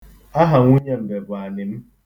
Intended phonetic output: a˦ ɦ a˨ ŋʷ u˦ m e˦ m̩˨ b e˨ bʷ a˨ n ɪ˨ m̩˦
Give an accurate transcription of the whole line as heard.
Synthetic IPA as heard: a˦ ɦ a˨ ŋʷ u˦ ɲ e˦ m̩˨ b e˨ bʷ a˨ n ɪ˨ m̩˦